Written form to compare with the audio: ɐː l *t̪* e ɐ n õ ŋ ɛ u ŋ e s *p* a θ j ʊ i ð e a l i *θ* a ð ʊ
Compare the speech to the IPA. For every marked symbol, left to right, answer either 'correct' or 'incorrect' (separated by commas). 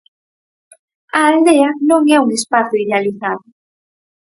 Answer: incorrect, correct, correct